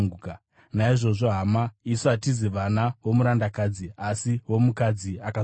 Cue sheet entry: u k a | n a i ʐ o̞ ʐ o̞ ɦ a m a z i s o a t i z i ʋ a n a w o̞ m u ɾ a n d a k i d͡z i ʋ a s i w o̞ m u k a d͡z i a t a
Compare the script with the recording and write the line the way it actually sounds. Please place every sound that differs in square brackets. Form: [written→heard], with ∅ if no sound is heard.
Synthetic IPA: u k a | n a i ʐ o̞ ʐ o̞ ɦ a m a [z→∅] i s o a t i z i ʋ a n a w o̞ m u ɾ a n d a k [i→a] d͡z i [ʋ→∅] a s i w o̞ m u k a d͡z i a [t→k] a